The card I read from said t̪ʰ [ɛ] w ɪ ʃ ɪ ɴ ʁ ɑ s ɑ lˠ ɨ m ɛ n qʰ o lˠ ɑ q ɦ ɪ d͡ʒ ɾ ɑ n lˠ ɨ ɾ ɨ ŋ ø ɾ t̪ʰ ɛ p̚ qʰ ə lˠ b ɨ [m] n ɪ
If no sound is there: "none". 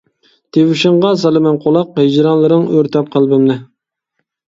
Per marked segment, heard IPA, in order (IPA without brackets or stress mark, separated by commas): e, m